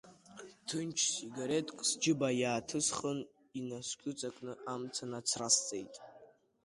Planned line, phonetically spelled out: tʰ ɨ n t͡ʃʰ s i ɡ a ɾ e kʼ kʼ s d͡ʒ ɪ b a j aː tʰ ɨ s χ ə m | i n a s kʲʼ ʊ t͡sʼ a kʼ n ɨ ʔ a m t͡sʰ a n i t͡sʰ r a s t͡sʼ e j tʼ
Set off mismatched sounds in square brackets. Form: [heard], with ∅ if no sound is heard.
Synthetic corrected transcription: tʰ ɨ n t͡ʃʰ s i ɡ a ɾ e [tʼ] kʼ s d͡ʒ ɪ b a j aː tʰ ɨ s χ ə [n] | i n a s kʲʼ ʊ t͡sʼ a kʼ n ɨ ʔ a m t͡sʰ a n [a] t͡sʰ r a s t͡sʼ e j tʼ